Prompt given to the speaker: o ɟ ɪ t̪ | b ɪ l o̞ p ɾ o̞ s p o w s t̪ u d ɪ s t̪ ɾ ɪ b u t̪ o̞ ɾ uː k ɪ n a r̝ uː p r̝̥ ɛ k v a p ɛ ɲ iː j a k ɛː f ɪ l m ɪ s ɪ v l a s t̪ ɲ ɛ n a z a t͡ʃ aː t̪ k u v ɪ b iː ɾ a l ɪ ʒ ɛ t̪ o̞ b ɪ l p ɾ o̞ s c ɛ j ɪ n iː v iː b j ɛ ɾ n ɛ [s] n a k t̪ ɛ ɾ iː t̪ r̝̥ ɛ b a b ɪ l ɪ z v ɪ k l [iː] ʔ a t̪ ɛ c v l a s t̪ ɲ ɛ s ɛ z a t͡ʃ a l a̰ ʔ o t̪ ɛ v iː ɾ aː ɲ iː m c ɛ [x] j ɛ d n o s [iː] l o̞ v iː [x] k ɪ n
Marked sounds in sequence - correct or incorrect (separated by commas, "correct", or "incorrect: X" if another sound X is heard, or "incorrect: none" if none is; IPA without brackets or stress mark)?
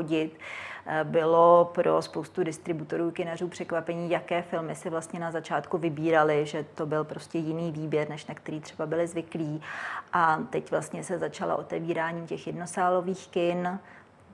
incorrect: ʃ, correct, correct, incorrect: aː, correct